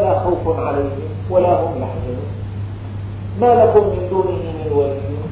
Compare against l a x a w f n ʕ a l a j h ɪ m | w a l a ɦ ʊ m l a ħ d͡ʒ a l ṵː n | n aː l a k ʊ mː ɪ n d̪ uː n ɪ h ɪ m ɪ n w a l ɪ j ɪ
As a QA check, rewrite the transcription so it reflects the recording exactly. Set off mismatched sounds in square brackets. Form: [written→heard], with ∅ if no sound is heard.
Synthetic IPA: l a x a w f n ʕ a l a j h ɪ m | w a l a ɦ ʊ m l a ħ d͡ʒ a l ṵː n | [n→m] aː l a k ʊ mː ɪ n d̪ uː n ɪ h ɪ m ɪ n w a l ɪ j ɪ